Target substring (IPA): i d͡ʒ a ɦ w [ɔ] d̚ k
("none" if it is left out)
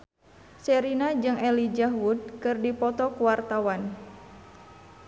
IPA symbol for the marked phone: u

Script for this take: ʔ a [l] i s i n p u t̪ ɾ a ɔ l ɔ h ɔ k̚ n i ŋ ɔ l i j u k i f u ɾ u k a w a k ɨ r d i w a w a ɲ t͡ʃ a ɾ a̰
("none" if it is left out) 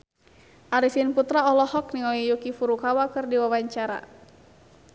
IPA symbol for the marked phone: ɾ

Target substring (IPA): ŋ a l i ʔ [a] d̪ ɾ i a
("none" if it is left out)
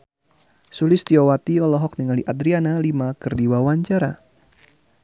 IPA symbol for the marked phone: a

